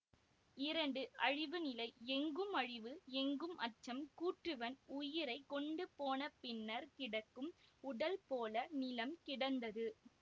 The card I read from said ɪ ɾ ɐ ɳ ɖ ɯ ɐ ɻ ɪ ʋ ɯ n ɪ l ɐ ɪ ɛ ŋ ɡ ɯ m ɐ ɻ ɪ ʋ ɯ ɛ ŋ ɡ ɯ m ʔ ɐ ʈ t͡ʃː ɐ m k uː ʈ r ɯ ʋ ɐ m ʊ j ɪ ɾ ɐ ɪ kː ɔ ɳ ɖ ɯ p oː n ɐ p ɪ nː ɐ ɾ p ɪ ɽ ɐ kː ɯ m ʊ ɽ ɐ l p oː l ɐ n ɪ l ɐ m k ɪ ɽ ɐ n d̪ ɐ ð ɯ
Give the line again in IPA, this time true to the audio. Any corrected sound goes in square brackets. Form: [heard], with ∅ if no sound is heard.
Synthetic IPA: ɪ ɾ ɐ ɳ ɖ ɯ ɐ ɻ ɪ ʋ ɯ n ɪ l ɐ ɪ ɛ ŋ ɡ ɯ m ɐ ɻ ɪ ʋ ɯ ɛ ŋ ɡ ɯ m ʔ ɐ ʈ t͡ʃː ɐ m k uː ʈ r ɯ ʋ ɐ [n] ʊ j ɪ ɾ ɐ ɪ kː ɔ ɳ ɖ ɯ p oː n ɐ p ɪ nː ɐ ɾ [k] ɪ ɽ ɐ kː ɯ m ʊ ɽ ɐ l p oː l ɐ n ɪ l ɐ m k ɪ ɽ ɐ n d̪ ɐ ð ɯ